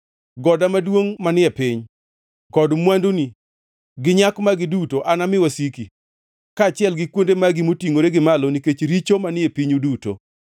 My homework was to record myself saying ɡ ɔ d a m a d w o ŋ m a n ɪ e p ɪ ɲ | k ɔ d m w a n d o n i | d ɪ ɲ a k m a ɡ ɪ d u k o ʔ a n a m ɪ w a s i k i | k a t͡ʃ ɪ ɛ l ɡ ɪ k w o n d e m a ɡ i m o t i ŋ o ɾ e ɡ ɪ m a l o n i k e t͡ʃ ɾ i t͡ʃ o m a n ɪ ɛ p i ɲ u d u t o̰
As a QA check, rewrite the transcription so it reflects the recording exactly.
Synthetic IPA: ɡ ɔ d a m a d w o ŋ m a n ɪ ɛ p ɪ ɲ | k ɔ d m w a n d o n i | ɡ ɪ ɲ a k m a ɡ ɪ d u t o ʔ a n a m ɪ w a s i k i | k a t͡ʃ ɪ ɛ l ɡ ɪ k w o n d e m a ɡ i m o t i ŋ o ɾ e ɡ ɪ m a l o n i k e t͡ʃ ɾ i t͡ʃ o m a n ɪ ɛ p i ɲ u d u t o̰